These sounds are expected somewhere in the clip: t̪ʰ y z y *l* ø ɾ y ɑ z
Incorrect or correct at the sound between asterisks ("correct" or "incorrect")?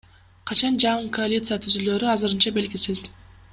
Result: correct